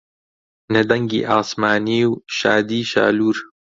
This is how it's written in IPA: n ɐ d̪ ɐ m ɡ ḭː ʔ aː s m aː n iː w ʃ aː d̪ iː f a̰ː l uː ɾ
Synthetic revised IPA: n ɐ d̪ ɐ ŋ ɡ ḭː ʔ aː s m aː n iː w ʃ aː d̪ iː ʃ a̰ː l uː ɾ